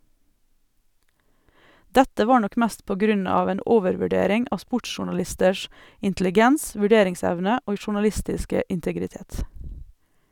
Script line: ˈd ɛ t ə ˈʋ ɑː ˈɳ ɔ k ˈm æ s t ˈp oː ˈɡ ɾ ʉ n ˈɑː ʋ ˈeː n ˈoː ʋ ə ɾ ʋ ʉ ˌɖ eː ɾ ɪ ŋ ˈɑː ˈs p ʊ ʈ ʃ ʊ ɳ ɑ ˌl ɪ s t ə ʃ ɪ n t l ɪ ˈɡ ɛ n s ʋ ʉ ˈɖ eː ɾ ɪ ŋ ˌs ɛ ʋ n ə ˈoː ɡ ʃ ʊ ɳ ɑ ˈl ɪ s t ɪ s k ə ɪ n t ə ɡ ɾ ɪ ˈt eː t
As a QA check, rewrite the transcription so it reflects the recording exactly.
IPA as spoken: ˈd ɛ t ə ˈʋ ɑː ˈɳ ɔ k ˈm æ s t ˈp oː ˈɡ ɾ ʉ n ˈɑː ʋ ˈeː n ˈoː ʋ ə ɾ ʋ ʉ ˌɖ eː ɾ ɪ ŋ ˈɑː ˈs p ʊ ʈ ʃ ʊ ɳ ɑ ˌl ɪ s t ə ʃ ɪ n t l ɪ ˈɡ ɛ n s ʋ ʉ ˈɖ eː ɾ ɪ ŋ ˌs ɛ ʋ n ə ˈoː ɡ ʃ ʊ ɳ ɑ ˈl ɪ s t ɪ s k ə ɪ n t ə ɡ ɾ ɪ ˈt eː t